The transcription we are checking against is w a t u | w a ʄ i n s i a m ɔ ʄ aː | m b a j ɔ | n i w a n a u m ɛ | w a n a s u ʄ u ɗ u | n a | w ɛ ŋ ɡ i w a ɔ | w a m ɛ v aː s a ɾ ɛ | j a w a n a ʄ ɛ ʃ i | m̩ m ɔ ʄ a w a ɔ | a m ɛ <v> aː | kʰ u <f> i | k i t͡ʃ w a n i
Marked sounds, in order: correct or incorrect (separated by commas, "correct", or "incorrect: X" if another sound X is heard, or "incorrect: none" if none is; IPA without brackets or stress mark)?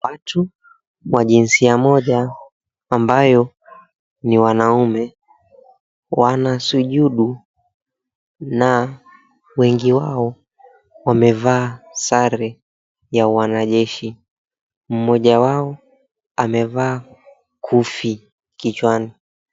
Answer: correct, correct